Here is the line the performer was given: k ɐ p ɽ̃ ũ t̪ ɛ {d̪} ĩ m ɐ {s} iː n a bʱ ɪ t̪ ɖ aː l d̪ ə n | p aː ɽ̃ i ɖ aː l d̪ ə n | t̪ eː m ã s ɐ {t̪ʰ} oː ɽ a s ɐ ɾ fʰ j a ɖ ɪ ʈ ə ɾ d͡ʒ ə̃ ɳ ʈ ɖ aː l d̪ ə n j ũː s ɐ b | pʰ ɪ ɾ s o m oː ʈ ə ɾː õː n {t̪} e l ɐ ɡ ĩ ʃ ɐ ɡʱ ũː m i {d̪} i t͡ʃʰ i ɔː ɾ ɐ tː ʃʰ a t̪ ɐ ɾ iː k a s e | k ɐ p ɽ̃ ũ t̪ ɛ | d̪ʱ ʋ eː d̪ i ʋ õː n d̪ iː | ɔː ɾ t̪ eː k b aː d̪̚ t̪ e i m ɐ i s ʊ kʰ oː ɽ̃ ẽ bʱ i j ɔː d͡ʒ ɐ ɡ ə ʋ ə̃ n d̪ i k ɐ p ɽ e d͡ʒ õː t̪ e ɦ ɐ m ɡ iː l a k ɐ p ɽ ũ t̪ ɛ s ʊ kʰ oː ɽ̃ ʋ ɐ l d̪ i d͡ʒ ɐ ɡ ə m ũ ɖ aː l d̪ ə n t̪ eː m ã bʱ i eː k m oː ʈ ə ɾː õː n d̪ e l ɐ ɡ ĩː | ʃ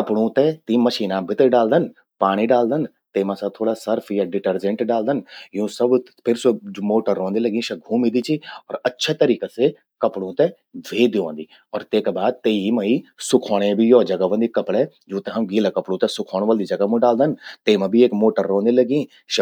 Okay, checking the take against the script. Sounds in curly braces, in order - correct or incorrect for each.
incorrect, incorrect, correct, incorrect, correct

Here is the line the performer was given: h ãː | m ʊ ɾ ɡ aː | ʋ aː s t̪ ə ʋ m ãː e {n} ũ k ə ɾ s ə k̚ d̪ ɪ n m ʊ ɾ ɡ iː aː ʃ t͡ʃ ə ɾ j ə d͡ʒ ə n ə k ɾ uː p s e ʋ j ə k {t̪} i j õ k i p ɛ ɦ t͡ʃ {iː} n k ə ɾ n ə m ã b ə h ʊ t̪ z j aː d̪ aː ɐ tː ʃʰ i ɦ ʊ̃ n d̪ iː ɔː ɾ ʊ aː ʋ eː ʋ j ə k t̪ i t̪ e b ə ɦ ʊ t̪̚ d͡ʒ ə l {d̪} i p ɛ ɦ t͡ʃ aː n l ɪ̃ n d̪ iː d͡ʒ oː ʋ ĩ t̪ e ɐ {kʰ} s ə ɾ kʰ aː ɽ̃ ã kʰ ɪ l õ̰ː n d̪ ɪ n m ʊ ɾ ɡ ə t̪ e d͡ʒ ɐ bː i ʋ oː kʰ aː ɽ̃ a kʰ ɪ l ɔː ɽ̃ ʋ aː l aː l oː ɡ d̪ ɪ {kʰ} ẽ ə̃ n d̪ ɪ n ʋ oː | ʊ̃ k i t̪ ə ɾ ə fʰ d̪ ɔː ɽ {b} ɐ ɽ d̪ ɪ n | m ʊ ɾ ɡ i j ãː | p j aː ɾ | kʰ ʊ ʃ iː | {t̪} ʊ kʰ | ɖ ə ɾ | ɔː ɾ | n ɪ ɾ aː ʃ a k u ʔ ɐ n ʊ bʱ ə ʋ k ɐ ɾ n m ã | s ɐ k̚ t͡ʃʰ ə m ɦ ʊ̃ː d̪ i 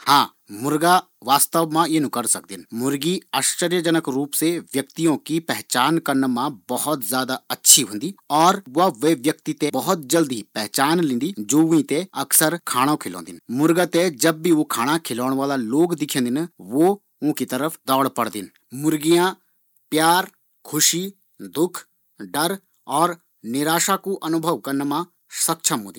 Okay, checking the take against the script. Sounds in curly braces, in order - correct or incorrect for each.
correct, correct, incorrect, correct, incorrect, correct, incorrect, incorrect

